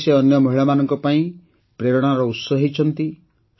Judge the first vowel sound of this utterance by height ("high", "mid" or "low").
mid